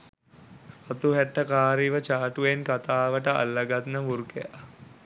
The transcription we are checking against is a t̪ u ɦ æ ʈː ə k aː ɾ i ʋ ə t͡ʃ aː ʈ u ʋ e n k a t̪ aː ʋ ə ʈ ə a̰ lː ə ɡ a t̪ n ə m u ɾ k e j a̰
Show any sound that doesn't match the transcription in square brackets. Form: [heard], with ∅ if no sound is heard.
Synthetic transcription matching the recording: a t̪ u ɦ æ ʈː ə k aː ɾ i ʋ ə t͡ʃ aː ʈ u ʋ e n k a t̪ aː ʋ ə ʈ ə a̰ lː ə ɡ a t̪ n ə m u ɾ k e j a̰